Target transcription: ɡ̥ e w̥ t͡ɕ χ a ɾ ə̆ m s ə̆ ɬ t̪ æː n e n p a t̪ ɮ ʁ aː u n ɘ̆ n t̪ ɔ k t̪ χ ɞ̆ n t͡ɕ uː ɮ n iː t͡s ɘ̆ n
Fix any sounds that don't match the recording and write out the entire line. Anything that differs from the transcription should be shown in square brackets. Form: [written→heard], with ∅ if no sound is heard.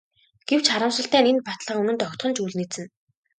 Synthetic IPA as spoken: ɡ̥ e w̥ t͡ɕ χ a ɾ ə̆ m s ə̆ ɬ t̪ æː n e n p a t̪ ɮ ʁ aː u n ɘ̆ n t̪ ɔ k t̪ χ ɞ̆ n t͡ɕ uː ɮ n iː t͡s ɘ̆ n